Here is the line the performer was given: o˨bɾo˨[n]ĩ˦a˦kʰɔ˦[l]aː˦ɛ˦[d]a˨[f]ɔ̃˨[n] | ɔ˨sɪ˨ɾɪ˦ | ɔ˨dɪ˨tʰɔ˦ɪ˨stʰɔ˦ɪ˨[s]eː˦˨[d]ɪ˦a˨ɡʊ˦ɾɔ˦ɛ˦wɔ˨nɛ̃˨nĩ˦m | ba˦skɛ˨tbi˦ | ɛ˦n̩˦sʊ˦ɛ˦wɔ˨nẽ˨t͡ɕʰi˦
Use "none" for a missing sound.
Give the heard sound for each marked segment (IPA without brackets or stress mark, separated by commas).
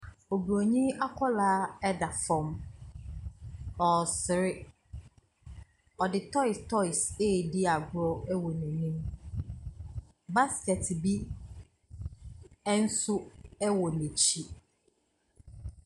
ɲ, l, d, f, m, s, d